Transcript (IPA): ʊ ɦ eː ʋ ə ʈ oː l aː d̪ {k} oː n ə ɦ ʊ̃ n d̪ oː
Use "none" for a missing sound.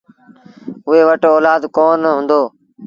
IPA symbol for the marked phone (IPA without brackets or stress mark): k